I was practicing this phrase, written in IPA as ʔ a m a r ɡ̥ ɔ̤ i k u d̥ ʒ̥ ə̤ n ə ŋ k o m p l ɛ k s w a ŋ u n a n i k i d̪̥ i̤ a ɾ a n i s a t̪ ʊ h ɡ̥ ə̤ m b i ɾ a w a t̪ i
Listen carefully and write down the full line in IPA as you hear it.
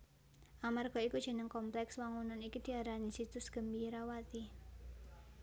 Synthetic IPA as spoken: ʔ a m a r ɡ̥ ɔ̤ i k u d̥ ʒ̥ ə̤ n ə ŋ k ɔ m p l ɛ k s w a ŋ u n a n i k i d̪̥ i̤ a ɾ a n i s i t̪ ʊ s ɡ̥ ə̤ m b i ɾ a w a t̪ i